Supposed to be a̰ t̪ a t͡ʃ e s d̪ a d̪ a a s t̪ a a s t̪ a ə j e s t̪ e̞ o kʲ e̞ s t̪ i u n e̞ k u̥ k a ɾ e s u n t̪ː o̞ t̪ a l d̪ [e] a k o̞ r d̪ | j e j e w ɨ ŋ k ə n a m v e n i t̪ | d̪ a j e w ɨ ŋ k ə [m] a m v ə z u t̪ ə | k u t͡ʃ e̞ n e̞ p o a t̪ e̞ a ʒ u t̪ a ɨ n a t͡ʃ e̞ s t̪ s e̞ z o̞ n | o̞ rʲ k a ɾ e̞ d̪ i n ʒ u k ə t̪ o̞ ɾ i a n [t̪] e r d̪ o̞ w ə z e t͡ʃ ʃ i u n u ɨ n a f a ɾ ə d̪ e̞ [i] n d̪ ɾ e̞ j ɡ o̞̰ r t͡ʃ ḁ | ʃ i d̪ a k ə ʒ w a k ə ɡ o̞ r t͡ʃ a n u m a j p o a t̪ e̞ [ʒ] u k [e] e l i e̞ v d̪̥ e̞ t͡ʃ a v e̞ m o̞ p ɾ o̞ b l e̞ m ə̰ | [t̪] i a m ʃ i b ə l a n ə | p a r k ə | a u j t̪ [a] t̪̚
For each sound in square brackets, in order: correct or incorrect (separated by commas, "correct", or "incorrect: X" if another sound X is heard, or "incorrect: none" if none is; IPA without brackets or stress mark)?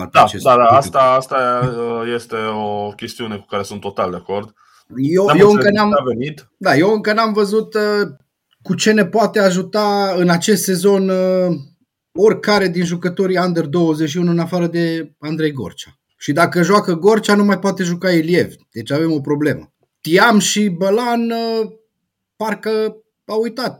correct, incorrect: n, incorrect: d̪, incorrect: a, correct, incorrect: a, correct, correct